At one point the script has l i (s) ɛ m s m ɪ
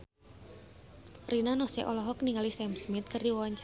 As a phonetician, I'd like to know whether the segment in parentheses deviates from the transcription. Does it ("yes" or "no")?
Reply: no